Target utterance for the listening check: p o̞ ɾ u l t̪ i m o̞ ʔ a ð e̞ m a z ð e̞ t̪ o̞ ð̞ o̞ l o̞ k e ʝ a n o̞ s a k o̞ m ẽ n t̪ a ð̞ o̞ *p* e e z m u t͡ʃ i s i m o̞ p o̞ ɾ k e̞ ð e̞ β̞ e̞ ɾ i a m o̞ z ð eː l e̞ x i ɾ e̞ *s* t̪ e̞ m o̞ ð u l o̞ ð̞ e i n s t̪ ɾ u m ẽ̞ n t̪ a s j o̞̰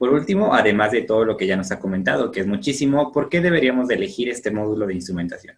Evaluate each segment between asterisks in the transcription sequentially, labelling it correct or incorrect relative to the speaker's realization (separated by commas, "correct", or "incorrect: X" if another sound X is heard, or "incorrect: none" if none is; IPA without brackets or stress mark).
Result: incorrect: k, correct